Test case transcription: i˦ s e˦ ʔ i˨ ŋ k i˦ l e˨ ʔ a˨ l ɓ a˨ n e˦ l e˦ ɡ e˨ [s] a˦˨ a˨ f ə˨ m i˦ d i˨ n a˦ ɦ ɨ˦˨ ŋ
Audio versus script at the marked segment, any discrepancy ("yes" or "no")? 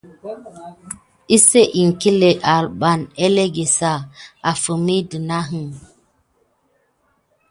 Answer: no